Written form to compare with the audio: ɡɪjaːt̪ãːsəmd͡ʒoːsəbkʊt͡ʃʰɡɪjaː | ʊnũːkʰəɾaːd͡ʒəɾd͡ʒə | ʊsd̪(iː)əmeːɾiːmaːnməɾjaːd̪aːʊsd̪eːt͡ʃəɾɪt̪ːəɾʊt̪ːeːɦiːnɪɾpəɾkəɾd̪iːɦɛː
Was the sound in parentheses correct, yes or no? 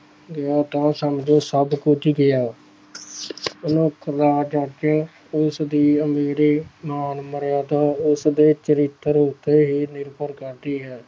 yes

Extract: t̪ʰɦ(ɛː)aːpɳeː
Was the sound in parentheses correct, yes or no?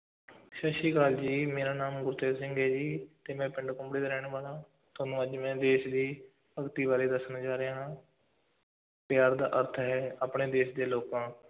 yes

